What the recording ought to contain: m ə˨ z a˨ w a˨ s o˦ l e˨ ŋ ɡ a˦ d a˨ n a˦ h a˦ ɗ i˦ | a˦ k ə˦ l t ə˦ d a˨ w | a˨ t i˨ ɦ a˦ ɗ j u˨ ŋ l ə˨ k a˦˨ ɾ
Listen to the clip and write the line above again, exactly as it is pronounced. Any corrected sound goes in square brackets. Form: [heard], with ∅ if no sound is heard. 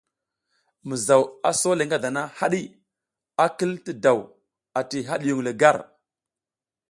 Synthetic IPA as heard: m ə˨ z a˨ w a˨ s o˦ l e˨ ŋ ɡ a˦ d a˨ n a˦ h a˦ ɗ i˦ | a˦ k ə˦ l t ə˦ d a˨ w | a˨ t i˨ ɦ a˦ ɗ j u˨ ŋ l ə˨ [ɡ] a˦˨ ɾ